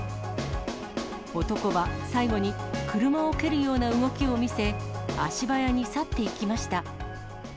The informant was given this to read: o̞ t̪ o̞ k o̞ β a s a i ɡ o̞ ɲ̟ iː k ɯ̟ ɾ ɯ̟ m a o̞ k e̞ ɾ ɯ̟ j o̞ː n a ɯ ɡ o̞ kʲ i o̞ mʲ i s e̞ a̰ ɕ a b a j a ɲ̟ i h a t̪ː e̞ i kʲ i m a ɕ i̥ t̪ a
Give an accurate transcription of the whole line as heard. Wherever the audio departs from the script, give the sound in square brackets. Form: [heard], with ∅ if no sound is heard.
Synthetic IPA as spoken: o̞ t̪ o̞ k o̞ β a s a i ɡ o̞ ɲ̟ [i] k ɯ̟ ɾ ɯ̟ m a o̞ k e̞ ɾ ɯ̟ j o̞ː n a ɯ ɡ o̞ kʲ i o̞ mʲ i s e̞ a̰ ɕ [i] b a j a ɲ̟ i [s] a t̪ː e̞ i kʲ i m a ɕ i̥ t̪ a